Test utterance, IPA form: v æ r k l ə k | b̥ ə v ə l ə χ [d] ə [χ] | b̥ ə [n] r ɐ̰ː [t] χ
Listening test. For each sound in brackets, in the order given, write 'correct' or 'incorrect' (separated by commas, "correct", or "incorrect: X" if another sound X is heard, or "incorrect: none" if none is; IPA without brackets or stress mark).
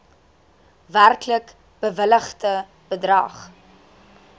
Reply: incorrect: t, incorrect: none, incorrect: d, incorrect: none